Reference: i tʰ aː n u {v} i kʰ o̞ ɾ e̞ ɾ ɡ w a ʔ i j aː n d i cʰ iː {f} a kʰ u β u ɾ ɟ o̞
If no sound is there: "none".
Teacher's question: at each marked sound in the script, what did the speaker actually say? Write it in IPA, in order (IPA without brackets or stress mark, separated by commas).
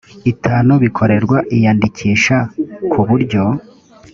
β, ʃ